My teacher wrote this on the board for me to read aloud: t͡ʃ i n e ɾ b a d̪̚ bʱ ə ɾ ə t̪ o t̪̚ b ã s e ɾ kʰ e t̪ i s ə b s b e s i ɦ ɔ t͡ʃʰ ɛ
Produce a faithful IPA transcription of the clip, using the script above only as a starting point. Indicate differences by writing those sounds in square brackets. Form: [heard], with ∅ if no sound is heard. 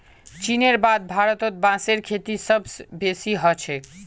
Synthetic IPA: t͡ʃ i n e ɾ b a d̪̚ bʱ [a] ɾ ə t̪ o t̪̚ b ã s e ɾ kʰ e t̪ i s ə b s b e s i ɦ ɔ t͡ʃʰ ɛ